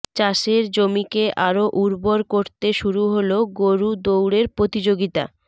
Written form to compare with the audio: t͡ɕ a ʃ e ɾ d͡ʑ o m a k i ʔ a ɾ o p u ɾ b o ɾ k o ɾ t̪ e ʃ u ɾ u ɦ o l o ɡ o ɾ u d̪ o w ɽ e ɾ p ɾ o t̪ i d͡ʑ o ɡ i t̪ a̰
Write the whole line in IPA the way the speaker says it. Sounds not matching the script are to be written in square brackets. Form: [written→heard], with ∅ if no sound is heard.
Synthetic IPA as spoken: t͡ɕ a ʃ e ɾ d͡ʑ o m [a→i] k [i→e] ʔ a ɾ o [p→ʔ] u ɾ b o ɾ k o ɾ t̪ e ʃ u ɾ u ɦ o l o ɡ o ɾ u d̪ o w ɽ e ɾ p ɾ o t̪ i d͡ʑ o ɡ i t̪ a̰